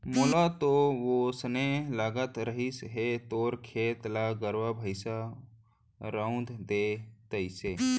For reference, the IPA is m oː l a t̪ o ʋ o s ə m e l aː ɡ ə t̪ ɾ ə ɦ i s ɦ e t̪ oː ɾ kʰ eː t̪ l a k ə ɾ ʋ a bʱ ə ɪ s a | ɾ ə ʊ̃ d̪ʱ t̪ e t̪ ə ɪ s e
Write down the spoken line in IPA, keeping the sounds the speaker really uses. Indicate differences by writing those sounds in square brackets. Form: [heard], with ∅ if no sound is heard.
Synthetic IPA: m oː l a t̪ o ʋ o s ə [n] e l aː ɡ ə t̪ ɾ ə ɦ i s ɦ e t̪ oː ɾ kʰ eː t̪ l a [ɡ] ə ɾ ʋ a bʱ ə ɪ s a | ɾ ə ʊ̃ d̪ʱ [d̪] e t̪ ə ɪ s e

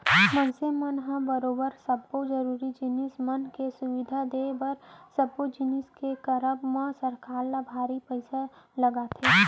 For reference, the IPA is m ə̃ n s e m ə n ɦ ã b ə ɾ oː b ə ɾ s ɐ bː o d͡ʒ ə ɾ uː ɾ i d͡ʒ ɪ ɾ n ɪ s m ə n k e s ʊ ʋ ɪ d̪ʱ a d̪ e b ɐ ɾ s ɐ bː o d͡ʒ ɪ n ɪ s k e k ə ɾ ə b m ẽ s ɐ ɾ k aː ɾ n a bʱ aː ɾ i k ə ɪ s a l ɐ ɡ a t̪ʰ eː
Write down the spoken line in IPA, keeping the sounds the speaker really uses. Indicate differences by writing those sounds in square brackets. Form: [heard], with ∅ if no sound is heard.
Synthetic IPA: m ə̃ n s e m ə n ɦ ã b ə ɾ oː b ə ɾ s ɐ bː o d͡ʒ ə ɾ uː ɾ i d͡ʒ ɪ [∅] n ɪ s m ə n k e s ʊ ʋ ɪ d̪ʱ a d̪ e b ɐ ɾ s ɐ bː o d͡ʒ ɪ n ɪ s k e k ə ɾ ə b m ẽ s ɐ ɾ k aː ɾ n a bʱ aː ɾ i [p] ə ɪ s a l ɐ ɡ a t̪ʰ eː

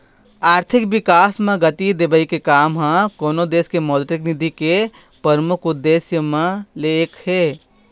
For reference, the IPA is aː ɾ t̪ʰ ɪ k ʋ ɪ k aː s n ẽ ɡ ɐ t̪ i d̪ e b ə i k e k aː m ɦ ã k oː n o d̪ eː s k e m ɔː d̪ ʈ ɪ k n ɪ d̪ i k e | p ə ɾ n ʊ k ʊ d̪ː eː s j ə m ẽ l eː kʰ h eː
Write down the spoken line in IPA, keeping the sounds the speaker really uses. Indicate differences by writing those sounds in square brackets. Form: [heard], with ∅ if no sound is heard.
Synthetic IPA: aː ɾ t̪ʰ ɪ k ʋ ɪ k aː s [m] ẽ ɡ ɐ t̪ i d̪ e b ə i k e k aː m ɦ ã k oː n o d̪ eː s k e m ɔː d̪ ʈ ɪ k n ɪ d̪ i k e | p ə ɾ [m] ʊ k ʊ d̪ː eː s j ə m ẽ l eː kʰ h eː

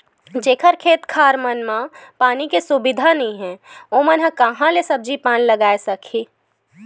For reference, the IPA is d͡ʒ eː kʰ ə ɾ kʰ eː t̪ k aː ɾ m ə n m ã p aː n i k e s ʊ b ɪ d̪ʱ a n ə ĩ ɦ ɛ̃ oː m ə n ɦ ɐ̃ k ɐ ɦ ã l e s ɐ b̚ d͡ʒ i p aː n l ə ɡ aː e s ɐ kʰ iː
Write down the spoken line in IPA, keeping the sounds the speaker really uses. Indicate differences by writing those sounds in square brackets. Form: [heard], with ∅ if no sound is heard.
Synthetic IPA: d͡ʒ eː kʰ ə ɾ kʰ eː t̪ [kʰ] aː ɾ m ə n m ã p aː n i k e s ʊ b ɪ d̪ʱ a n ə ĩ ɦ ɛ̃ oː m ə n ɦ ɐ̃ k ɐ ɦ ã l e s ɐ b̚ d͡ʒ i p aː n l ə ɡ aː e s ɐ kʰ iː

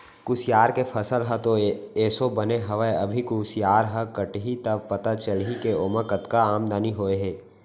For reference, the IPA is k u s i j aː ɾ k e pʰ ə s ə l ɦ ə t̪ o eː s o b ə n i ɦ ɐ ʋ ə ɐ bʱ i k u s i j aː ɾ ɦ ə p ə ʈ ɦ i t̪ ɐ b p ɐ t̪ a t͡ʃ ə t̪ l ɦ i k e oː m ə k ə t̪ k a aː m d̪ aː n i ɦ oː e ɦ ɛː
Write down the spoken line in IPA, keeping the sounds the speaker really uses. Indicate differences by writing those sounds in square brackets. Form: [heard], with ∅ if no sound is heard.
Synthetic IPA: k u s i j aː ɾ k e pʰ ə s ə l ɦ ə t̪ o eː s o b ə n [e] ɦ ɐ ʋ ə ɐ bʱ i k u s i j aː ɾ ɦ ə [k] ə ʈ ɦ i t̪ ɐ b p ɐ t̪ a t͡ʃ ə [∅] l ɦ i k e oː m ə k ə t̪ k a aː m d̪ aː n i ɦ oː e ɦ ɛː

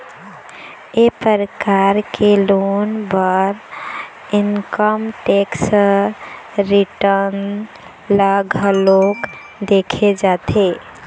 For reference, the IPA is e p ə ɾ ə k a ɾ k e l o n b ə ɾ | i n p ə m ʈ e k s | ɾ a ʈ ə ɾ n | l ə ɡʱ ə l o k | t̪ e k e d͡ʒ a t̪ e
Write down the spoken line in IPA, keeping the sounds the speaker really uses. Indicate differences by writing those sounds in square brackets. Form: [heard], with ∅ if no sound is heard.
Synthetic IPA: e p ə ɾ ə k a ɾ k e l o n b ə ɾ | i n [k] ə m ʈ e k s | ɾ [i] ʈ ə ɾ n | l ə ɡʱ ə l o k | [d̪] e [kʰ] e d͡ʒ a t̪ e

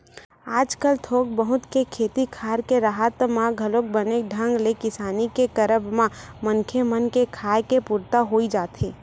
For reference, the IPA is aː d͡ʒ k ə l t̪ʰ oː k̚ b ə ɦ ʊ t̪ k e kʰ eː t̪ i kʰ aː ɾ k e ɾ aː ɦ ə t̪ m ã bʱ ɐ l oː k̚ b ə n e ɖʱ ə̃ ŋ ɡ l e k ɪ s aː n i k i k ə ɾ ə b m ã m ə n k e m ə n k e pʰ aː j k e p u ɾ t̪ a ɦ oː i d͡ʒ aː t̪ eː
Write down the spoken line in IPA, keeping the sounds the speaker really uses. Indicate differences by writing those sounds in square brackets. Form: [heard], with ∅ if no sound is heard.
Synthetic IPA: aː d͡ʒ k ə l t̪ʰ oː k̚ b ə ɦ ʊ t̪ k e kʰ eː t̪ i kʰ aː ɾ k e ɾ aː ɦ ə t̪ m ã [ɡʱ] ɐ l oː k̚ b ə n e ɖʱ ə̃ ŋ ɡ l e k ɪ s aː n i k [e] k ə ɾ ə b m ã m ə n [kʰ] e m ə n k e [kʰ] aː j k e p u ɾ t̪ a ɦ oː i d͡ʒ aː t̪ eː

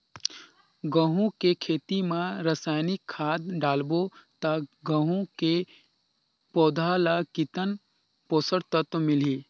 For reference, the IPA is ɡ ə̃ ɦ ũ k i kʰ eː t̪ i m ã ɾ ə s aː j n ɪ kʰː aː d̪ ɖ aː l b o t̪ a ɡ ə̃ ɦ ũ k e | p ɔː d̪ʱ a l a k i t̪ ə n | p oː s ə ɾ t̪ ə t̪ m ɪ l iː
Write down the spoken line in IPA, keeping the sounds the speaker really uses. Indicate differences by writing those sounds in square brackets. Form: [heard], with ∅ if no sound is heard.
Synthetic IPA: ɡ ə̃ ɦ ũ k [e] kʰ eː t̪ i m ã ɾ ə s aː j n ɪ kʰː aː d̪ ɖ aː l b o t̪ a ɡ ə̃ ɦ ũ k e | p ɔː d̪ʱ a l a k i t̪ ə n | p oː s ə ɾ t̪ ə t̪ m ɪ l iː

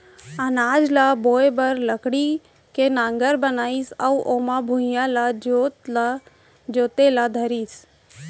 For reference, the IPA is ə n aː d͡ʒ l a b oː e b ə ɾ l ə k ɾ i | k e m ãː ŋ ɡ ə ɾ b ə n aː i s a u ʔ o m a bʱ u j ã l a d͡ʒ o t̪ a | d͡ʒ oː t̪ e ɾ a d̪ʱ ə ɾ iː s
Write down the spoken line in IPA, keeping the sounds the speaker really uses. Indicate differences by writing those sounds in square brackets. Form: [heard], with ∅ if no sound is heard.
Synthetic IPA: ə n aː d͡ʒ l a b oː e b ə ɾ l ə k [ɽ] i | k e [n] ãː ŋ ɡ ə ɾ b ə n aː i s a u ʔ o m a bʱ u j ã l a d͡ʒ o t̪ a | d͡ʒ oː t̪ e [l] a d̪ʱ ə ɾ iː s

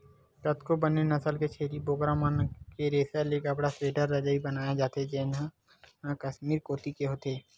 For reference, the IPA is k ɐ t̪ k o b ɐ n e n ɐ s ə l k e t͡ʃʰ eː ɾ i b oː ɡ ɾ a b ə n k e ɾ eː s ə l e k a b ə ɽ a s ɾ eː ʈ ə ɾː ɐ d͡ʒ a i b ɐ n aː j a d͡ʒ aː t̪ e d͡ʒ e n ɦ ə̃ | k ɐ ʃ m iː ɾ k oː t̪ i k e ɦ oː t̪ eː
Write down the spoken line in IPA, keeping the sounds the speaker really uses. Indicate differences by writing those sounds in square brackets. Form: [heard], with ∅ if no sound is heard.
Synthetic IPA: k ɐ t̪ k o b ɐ n e n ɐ s ə l k e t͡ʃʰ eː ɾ i b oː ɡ ɾ a [m] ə n k e ɾ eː s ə l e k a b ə ɽ a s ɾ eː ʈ ə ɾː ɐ d͡ʒ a i b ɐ n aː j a d͡ʒ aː t̪ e d͡ʒ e n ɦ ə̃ | k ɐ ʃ m iː ɾ k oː t̪ i k e ɦ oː t̪ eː

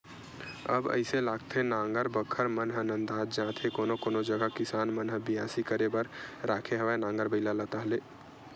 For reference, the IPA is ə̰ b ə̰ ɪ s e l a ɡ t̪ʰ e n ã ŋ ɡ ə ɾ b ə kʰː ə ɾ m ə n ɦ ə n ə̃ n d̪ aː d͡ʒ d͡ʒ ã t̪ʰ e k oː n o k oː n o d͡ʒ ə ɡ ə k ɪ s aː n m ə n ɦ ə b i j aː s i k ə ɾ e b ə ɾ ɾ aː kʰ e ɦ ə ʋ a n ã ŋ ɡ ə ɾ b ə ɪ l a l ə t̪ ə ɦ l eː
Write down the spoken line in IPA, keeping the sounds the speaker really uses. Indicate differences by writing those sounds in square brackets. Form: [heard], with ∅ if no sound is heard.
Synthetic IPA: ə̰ b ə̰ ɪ s e l a ɡ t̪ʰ e n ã ŋ ɡ ə ɾ b ə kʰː ə ɾ m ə n ɦ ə n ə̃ n d̪ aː d͡ʒ d͡ʒ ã t̪ʰ e k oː n o k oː n o d͡ʒ ə ɡ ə k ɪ s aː n m ə n ɦ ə b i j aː s i k ə ɾ e b ə ɾ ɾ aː kʰ e ɦ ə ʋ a n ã ŋ ɡ ə ɾ b ə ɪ l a l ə t̪ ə ɦ l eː

